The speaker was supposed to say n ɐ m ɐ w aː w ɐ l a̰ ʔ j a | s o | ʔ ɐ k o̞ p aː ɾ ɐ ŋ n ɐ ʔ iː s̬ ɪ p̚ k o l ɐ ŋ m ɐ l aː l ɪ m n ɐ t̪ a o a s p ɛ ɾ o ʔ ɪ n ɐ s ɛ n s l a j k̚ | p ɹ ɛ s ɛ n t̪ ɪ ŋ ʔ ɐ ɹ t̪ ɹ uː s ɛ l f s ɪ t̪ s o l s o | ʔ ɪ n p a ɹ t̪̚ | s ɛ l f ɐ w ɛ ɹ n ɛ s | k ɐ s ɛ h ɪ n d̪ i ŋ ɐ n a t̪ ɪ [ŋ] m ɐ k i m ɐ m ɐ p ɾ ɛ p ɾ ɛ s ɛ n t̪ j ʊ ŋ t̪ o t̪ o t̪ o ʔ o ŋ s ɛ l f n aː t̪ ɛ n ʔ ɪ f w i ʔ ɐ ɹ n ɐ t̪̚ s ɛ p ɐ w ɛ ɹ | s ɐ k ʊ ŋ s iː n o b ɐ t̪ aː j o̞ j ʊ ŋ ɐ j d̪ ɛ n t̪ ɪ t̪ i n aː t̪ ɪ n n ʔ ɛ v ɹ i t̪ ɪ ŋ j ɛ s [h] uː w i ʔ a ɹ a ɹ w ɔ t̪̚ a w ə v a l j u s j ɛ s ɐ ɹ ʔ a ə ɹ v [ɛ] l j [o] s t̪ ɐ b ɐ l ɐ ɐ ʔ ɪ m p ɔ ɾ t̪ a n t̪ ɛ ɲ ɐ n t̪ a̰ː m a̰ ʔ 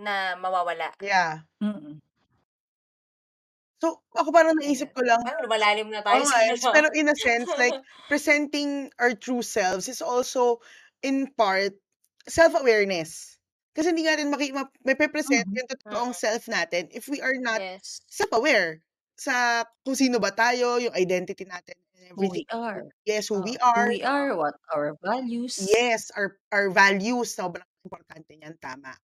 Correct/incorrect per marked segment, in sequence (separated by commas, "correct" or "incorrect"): incorrect, correct, incorrect, incorrect